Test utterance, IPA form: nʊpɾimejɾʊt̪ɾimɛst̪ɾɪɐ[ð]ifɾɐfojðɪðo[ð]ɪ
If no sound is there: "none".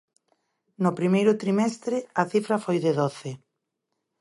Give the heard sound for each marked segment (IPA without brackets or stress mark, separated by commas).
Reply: θ, θ